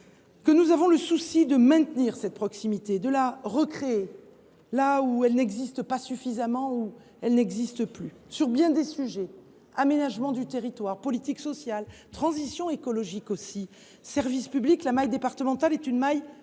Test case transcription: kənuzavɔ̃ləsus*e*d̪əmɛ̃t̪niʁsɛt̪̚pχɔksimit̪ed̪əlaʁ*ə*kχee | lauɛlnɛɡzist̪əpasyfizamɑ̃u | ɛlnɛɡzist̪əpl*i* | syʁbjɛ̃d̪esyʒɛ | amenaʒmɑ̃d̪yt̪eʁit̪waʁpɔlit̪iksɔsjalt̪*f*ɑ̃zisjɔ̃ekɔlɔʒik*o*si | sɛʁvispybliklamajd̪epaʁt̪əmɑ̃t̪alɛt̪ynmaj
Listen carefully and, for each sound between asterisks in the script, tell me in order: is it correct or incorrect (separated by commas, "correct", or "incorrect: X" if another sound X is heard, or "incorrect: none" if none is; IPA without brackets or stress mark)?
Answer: incorrect: i, correct, incorrect: y, incorrect: χ, correct